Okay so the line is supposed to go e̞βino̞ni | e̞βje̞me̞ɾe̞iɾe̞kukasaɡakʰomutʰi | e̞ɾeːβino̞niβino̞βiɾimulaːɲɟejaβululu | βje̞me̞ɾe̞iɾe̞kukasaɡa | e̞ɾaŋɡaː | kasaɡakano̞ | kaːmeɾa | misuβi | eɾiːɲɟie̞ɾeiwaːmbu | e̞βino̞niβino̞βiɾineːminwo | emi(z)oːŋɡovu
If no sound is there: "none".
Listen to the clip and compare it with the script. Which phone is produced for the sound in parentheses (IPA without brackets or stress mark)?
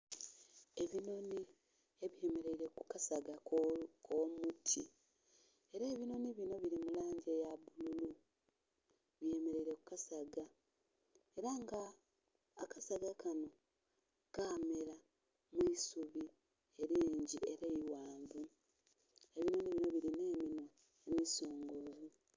s